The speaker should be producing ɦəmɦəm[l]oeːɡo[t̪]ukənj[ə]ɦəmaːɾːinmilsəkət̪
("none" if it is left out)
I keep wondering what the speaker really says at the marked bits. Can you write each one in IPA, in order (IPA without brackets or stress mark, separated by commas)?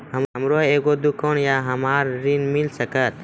ɾ, d̪, a